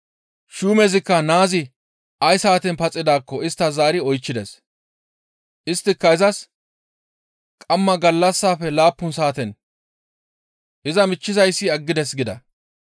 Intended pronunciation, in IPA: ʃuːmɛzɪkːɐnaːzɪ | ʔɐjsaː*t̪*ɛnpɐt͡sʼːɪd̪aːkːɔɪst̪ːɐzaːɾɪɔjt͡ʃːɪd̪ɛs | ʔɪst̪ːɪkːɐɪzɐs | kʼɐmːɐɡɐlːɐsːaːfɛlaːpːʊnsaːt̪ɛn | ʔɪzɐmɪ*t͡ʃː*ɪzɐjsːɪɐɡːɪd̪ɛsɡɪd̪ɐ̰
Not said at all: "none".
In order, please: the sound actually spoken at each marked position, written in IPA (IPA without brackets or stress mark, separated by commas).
t̪, t͡ʃː